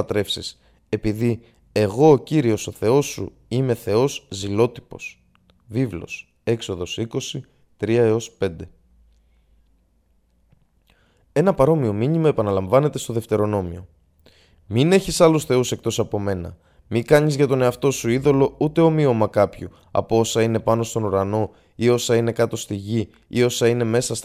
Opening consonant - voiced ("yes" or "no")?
no